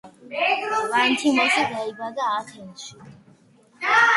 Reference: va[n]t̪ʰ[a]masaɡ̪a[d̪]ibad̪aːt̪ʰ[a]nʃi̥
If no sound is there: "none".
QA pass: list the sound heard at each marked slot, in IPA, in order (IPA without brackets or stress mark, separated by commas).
n, i, none, ɛ